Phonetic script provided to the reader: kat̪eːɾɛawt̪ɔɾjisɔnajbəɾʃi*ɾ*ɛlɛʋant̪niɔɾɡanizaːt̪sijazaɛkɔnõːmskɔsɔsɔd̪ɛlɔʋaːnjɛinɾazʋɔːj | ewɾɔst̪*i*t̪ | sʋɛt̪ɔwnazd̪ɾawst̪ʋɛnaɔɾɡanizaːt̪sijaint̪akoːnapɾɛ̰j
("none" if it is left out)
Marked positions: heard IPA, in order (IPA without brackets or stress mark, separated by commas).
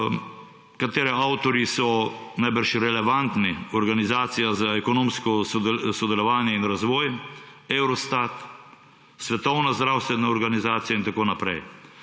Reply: ɾ, a